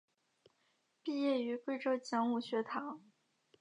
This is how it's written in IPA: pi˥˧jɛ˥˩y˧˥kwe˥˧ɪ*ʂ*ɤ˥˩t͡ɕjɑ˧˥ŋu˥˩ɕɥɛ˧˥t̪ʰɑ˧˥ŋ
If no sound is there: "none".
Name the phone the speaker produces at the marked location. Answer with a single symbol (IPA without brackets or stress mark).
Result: ʈ͡ʂ